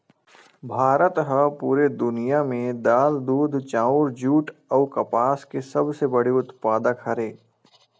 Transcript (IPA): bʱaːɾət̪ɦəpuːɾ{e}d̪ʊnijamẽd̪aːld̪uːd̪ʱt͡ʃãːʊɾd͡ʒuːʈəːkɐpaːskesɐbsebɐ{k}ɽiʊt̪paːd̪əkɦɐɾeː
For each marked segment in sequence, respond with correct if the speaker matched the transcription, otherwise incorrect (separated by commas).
correct, incorrect